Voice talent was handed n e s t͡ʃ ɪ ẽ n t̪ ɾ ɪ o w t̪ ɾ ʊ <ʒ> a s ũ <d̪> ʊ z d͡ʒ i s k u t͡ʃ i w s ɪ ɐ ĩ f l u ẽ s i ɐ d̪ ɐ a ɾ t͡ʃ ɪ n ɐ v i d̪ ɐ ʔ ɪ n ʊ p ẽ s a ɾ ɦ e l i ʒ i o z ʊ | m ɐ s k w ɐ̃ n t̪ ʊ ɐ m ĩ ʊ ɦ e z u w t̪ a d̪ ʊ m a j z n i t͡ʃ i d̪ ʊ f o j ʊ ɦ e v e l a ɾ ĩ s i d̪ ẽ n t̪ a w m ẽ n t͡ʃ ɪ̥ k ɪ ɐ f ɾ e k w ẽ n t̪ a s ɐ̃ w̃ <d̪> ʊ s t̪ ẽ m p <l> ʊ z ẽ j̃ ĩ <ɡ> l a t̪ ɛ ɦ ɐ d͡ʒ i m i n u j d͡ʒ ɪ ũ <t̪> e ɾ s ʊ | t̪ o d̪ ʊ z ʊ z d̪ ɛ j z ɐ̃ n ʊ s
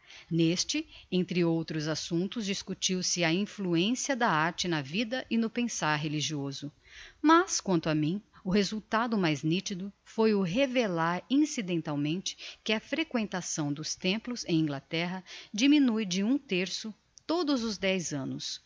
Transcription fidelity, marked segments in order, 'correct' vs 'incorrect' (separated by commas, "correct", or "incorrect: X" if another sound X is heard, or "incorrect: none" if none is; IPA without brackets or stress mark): incorrect: z, incorrect: t̪, correct, correct, correct, correct